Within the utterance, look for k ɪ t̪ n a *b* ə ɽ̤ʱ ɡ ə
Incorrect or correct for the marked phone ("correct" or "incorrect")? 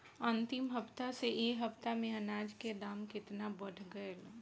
correct